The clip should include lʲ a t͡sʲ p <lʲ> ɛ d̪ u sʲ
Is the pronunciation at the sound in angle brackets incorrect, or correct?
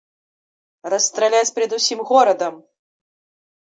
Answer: incorrect